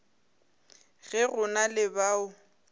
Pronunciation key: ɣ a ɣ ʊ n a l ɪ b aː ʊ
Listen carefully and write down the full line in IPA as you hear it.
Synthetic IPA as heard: ɣ ɛ ɣ ʊ n a l ɪ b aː ʊ